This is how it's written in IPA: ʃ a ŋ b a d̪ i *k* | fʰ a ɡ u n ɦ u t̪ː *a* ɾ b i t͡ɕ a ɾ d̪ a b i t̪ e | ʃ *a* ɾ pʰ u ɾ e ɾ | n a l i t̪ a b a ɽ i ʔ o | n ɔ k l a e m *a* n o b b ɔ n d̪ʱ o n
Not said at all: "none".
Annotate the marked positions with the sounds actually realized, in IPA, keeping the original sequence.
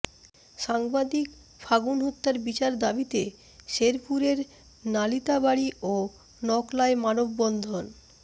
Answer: k, a, e, a

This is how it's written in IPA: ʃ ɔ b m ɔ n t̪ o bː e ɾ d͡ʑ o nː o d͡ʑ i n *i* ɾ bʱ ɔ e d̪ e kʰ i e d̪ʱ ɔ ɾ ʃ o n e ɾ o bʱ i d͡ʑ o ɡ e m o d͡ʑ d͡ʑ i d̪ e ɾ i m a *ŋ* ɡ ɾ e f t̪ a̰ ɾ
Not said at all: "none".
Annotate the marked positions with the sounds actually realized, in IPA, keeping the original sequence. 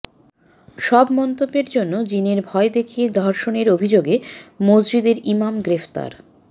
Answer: e, m

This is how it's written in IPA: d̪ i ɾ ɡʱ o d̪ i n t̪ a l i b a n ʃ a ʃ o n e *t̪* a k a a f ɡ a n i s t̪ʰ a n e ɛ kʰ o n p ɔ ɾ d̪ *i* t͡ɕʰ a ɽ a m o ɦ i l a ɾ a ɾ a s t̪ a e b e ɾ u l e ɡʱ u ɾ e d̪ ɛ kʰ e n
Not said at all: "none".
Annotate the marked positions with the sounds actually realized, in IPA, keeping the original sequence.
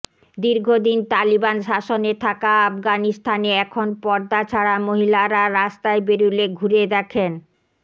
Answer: t̪ʰ, a

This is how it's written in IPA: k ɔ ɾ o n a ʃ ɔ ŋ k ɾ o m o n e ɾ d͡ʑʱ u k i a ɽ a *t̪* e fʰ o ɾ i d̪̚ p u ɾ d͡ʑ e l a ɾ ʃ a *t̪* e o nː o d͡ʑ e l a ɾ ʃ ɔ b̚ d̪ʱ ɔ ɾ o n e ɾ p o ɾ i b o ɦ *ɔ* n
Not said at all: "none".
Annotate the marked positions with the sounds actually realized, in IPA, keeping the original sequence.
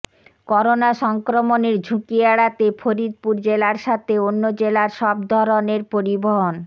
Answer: t̪, t̪ʰ, o

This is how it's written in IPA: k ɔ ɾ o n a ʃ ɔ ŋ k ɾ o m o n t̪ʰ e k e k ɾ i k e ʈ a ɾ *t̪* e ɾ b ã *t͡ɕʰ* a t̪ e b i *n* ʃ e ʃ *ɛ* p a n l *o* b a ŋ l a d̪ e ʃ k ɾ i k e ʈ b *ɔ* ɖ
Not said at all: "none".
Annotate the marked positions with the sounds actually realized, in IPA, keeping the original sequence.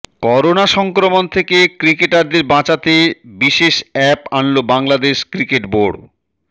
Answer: d̪, t͡ɕ, none, ɛ, o, o

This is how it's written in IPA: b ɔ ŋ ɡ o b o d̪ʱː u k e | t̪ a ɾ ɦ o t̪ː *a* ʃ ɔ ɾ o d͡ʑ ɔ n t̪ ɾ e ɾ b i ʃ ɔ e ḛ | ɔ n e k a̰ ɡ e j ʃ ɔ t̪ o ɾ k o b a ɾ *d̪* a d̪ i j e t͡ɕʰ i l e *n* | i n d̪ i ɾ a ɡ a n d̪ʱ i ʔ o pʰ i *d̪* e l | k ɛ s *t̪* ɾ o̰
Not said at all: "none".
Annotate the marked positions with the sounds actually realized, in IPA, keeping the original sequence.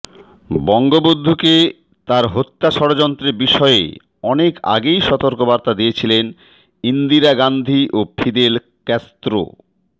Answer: a, t̪, n, d̪, t̪

